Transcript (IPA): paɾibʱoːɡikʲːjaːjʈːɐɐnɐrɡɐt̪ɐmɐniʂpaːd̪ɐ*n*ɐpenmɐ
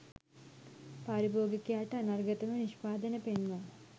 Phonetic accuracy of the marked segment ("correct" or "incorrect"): correct